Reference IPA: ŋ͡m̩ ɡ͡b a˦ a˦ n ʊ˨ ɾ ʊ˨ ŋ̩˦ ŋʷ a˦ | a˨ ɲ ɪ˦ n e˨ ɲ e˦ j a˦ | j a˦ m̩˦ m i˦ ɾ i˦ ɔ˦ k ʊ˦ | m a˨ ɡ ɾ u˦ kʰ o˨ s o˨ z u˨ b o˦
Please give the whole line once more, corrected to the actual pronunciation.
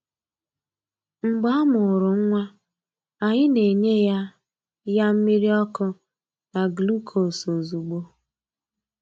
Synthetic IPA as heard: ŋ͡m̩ ɡ͡b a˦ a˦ m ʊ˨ ɾ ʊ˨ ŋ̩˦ ŋʷ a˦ | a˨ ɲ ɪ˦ n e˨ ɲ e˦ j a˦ | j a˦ m̩˦ m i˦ ɾ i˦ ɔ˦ k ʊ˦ | n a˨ ɡ l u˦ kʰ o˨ s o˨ z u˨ ɡ͡b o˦